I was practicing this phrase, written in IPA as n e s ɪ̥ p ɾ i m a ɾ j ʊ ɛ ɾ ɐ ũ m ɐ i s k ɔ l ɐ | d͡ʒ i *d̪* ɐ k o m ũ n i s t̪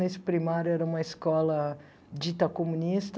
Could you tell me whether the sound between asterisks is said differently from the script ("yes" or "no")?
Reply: yes